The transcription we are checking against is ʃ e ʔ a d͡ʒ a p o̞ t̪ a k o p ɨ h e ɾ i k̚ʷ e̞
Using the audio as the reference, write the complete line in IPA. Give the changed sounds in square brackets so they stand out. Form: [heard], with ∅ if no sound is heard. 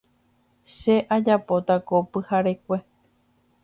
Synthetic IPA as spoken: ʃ e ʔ a d͡ʒ a p o̞ t̪ a k o p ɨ h [a] ɾ [e] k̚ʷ e̞